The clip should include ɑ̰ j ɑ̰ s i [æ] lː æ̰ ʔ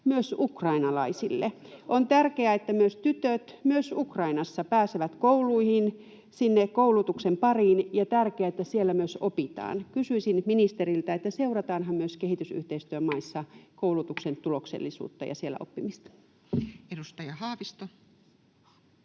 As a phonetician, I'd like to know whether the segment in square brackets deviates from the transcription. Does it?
yes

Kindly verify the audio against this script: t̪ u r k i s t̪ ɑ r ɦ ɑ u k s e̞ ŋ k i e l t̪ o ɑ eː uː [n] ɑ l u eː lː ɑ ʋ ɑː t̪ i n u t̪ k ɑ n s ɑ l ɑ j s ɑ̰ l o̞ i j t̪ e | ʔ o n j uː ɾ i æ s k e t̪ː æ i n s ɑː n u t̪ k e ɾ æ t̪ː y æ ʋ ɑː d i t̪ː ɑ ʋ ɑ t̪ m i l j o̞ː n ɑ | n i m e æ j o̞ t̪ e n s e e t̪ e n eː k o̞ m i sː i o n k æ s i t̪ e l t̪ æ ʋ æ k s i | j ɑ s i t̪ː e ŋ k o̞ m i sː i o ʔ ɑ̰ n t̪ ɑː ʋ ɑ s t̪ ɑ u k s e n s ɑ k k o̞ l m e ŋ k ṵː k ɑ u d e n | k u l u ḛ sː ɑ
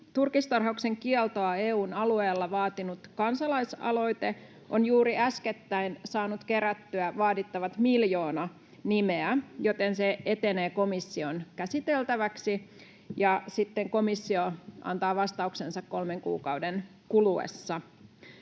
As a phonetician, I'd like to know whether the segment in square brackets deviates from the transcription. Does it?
no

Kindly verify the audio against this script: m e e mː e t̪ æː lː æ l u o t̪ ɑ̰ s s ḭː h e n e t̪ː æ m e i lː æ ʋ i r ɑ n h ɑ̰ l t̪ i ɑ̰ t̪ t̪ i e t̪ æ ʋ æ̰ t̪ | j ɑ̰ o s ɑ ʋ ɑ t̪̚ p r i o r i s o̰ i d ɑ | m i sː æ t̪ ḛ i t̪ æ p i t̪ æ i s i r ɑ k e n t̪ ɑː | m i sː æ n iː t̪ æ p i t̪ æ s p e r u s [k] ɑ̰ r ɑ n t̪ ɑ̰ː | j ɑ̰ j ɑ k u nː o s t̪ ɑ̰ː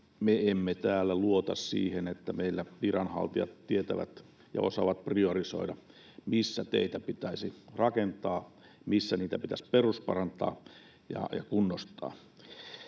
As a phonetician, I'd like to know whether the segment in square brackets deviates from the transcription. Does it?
yes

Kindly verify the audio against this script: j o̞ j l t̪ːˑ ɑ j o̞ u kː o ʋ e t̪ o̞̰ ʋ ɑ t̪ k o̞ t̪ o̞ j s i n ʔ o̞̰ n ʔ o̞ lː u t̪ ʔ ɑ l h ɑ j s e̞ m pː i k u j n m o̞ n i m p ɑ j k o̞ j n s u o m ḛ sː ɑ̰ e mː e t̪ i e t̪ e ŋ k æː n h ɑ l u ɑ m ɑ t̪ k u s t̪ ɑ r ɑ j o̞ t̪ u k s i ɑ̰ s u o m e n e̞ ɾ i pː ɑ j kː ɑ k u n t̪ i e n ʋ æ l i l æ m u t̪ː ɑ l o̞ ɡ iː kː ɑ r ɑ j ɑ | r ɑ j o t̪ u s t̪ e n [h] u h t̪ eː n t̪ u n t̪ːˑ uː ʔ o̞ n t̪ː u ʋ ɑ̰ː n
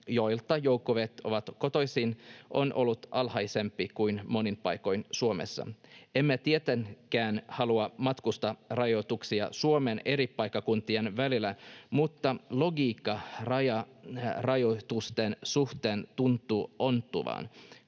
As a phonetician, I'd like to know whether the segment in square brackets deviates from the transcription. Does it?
yes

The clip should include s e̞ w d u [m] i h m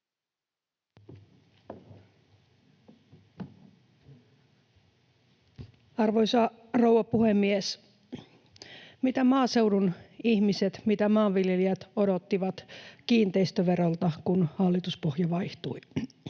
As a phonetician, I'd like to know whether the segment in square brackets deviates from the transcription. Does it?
yes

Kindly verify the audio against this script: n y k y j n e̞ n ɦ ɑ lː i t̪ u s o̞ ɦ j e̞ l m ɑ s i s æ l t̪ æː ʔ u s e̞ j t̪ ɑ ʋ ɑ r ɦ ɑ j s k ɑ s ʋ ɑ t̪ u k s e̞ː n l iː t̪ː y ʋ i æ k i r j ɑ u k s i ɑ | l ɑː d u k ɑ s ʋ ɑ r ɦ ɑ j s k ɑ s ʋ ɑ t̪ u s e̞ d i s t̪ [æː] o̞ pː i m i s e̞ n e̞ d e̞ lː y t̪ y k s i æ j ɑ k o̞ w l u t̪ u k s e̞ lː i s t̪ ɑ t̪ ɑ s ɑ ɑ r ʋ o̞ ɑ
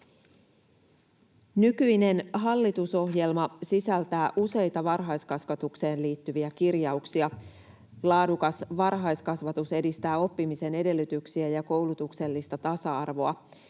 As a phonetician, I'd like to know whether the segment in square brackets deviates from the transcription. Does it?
no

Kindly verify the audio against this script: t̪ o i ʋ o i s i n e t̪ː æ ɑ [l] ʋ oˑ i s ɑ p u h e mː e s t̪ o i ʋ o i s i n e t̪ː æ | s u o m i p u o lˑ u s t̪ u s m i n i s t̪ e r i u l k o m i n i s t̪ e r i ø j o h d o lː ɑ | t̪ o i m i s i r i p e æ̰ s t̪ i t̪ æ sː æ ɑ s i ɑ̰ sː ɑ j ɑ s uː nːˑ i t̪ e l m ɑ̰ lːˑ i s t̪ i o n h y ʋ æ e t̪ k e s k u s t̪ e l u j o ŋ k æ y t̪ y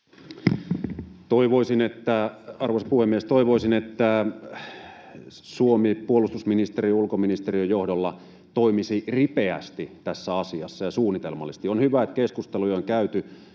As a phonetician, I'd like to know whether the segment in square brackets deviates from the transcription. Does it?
yes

